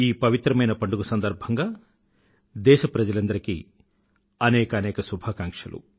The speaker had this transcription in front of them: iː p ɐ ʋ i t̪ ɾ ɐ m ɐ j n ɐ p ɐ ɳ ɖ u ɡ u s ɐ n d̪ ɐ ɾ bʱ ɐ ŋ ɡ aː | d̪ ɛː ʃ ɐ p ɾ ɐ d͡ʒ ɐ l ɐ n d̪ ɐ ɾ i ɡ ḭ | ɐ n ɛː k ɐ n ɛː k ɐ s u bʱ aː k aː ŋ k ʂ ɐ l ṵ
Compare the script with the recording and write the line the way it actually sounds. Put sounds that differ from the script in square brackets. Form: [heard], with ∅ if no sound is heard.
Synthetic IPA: iː p ɐ ʋ i t̪ ɾ ɐ m ɐ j n ɐ p ɐ ɳ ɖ u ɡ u s ɐ n d̪ ɐ ɾ bʱ ɐ ŋ ɡ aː | d̪ ɛː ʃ ɐ p ɾ ɐ d͡ʒ ɐ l ɐ n d̪ ɐ ɾ i [k] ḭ | ɐ n ɛː k ɐ n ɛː k ɐ s u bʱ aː k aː ŋ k ʂ ɐ l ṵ